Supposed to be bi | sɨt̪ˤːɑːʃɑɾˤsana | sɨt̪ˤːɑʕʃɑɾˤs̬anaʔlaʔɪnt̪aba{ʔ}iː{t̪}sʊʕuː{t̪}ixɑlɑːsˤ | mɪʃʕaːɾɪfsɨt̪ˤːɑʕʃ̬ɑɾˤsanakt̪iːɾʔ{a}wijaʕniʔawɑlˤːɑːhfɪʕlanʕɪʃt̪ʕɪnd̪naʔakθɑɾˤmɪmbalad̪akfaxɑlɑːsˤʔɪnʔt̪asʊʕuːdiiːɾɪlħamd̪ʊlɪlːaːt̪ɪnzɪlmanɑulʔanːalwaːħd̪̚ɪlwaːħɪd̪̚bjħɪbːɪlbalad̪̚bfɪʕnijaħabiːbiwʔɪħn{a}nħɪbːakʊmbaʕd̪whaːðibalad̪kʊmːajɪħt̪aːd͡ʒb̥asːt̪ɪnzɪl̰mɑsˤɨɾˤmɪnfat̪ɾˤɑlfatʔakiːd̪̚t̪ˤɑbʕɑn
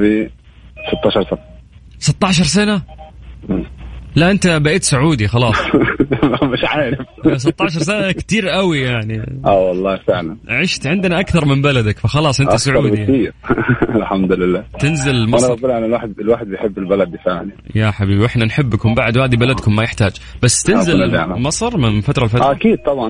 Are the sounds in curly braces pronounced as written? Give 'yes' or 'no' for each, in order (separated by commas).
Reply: yes, yes, no, yes, yes